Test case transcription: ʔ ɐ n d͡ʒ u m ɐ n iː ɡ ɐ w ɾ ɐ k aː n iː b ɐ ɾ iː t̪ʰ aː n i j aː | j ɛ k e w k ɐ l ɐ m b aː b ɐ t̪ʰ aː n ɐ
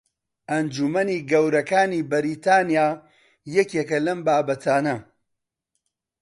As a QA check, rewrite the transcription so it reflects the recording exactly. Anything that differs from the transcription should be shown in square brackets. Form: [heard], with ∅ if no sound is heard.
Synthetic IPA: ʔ ɐ n d͡ʒ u m ɐ n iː ɡ ɐ w ɾ ɐ k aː n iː b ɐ ɾ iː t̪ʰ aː n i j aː | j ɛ k e [∅] k ɐ l ɐ m b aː b ɐ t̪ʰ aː n ɐ